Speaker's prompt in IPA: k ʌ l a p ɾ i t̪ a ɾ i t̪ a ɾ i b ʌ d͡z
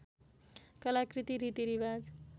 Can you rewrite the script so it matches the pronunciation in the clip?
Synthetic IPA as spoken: k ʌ l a k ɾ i t̪ i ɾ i t̪ i ɾ i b a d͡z